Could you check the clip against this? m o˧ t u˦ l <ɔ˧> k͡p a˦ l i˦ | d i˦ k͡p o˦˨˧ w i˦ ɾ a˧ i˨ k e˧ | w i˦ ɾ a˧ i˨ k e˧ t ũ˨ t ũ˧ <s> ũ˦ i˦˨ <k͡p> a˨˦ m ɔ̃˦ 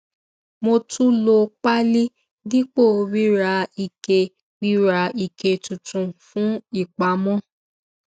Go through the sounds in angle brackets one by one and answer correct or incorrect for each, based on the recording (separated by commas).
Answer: incorrect, incorrect, correct